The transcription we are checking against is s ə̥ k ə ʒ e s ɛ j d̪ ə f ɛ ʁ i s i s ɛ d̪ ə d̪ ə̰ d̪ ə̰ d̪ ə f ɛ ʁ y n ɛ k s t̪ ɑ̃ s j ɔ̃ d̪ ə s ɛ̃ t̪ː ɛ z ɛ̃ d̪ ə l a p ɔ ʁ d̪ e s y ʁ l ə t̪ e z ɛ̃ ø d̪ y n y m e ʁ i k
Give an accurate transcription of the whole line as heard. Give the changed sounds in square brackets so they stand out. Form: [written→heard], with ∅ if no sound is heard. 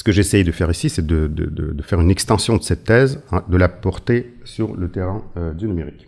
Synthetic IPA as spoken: s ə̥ k ə ʒ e s ɛ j d̪ ə f ɛ ʁ i s i s ɛ d̪ ə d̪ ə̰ d̪ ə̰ d̪ ə f ɛ ʁ y n ɛ k s t̪ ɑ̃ s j ɔ̃ d̪ ə s [ɛ̃→ɛ] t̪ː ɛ z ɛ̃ d̪ ə l a p ɔ ʁ [d̪→t̪] e s y ʁ l ə t̪ e [z→ʁ] ɛ̃ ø d̪ y n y m e ʁ i k